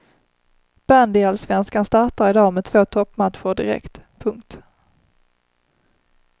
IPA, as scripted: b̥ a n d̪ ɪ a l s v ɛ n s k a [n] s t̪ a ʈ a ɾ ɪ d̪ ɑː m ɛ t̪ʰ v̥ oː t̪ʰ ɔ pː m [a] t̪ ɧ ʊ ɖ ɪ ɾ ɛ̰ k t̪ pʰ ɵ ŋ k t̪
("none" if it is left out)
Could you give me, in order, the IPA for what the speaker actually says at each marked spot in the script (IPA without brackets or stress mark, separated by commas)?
n, a